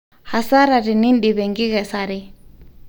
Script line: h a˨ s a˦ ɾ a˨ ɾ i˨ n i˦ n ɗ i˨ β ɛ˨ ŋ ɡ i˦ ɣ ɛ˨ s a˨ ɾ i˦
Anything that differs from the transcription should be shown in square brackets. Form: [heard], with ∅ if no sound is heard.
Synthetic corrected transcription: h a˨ s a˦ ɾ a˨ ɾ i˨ n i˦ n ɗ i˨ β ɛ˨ ŋ ɡ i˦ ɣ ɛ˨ s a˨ ɾ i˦